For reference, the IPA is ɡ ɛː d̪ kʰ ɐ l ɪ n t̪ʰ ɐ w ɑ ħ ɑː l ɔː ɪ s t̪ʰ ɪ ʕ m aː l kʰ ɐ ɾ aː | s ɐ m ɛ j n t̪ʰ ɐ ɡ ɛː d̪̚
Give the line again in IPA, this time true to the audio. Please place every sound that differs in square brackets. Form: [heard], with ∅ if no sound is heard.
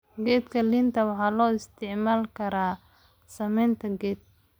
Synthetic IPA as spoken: ɡ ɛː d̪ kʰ ɐ l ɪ n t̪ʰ ɐ w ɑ ħ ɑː l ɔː ɪ s t̪ʰ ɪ ʕ m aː l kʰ ɐ ɾ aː | s ɐ m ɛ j n t̪ʰ ɐ ɡ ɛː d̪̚